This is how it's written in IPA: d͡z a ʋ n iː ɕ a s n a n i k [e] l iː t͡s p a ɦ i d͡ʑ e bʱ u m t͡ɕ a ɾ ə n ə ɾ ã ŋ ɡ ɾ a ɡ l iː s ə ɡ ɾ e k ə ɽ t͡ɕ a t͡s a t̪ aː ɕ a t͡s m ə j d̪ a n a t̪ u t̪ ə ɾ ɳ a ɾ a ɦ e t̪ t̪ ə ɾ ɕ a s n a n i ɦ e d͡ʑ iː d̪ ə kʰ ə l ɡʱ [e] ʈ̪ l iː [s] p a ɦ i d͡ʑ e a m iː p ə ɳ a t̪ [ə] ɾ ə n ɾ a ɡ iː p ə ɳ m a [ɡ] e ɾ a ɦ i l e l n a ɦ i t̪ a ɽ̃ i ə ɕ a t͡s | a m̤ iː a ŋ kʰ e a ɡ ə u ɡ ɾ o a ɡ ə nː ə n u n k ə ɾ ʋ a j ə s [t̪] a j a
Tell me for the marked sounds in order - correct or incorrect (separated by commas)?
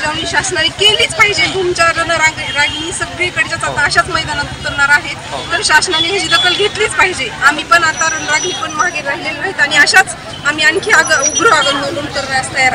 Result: correct, correct, incorrect, incorrect, correct, correct